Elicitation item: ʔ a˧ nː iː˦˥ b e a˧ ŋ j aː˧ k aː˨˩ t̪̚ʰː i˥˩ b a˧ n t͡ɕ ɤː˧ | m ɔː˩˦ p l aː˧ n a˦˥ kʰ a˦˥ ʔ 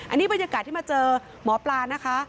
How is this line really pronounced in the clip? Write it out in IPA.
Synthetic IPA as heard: ʔ a˧ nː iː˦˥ b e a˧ n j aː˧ k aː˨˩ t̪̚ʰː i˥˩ m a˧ t͡ɕ ɤː˧ | m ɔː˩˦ p l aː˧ n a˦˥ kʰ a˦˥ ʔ